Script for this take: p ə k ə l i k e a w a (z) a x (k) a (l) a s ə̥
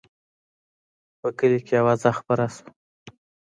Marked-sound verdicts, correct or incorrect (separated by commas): correct, incorrect, incorrect